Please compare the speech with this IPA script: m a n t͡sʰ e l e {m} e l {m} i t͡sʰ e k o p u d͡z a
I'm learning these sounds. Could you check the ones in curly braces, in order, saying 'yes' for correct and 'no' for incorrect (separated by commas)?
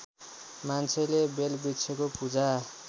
no, no